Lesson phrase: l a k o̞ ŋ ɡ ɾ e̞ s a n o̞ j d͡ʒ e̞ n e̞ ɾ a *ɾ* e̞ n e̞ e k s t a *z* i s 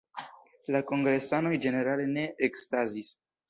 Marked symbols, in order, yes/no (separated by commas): no, yes